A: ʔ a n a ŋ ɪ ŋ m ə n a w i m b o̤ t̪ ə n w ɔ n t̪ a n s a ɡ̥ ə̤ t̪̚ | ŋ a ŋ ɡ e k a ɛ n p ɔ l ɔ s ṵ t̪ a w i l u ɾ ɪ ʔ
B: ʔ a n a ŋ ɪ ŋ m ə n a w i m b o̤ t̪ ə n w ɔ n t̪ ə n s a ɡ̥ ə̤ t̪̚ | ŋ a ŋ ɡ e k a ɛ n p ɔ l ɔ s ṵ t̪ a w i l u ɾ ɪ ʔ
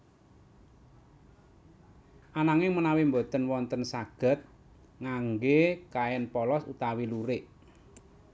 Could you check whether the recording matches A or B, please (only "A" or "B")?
B